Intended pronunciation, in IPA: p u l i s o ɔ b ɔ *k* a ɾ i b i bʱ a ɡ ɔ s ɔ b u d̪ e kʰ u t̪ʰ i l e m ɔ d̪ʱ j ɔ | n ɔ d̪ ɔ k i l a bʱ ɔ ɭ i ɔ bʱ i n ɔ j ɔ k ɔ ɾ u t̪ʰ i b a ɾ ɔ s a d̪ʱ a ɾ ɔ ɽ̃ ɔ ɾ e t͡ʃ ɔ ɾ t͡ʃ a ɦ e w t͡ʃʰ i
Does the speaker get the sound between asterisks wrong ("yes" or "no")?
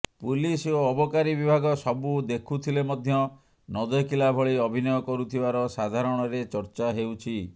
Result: no